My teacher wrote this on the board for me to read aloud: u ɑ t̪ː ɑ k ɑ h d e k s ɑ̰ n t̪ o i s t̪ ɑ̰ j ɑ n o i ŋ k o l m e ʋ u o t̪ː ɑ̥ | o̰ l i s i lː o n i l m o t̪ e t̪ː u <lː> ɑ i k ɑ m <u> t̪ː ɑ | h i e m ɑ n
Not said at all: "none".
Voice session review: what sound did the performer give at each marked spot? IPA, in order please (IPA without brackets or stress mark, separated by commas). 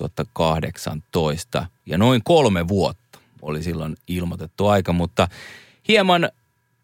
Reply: none, u